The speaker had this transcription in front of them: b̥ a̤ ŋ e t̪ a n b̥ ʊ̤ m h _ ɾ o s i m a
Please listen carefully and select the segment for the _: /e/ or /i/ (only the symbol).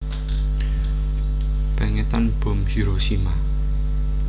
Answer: i